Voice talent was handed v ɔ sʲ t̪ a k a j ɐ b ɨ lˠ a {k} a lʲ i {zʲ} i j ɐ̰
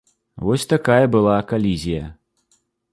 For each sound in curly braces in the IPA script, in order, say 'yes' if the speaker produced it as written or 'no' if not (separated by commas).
yes, yes